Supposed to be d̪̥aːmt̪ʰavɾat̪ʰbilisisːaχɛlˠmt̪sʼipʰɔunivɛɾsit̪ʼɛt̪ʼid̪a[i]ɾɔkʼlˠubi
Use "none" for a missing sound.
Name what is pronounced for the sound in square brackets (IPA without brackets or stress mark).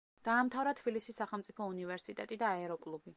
ɛ